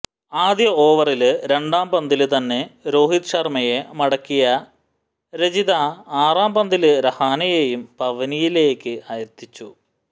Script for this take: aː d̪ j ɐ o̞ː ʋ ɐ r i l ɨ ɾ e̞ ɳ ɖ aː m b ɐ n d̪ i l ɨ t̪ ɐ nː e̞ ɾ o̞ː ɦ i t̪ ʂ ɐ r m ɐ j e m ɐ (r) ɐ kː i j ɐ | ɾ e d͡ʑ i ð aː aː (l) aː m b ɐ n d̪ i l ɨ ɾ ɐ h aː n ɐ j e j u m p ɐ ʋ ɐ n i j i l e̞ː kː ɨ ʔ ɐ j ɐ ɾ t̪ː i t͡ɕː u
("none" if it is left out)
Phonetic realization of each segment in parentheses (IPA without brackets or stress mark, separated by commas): ɽ, r